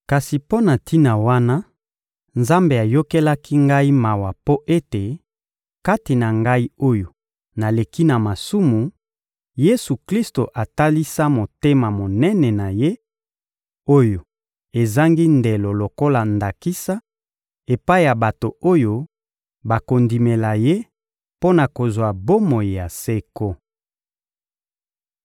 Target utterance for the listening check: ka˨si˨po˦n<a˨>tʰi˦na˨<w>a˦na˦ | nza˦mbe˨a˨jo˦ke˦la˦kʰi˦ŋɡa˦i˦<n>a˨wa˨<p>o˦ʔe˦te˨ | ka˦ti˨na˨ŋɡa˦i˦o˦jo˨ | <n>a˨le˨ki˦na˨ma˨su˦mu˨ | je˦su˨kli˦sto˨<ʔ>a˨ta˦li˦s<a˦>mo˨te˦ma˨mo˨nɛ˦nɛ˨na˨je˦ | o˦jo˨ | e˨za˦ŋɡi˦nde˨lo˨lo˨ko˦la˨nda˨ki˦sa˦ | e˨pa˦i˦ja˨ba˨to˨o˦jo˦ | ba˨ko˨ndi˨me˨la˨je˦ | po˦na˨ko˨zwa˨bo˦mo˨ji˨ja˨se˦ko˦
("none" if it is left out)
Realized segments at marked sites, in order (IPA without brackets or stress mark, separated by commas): a˨, w, m, p, n, ʔ, a˦